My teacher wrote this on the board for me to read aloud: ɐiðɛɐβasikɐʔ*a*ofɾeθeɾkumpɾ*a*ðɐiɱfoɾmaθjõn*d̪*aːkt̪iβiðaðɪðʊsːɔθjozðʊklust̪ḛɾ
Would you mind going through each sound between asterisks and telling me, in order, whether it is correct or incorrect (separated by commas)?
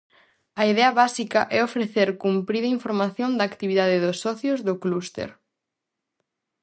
incorrect, incorrect, correct